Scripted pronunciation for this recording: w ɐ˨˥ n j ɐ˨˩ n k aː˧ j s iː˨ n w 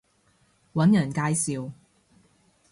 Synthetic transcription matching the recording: w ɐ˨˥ n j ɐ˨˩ n k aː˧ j s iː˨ w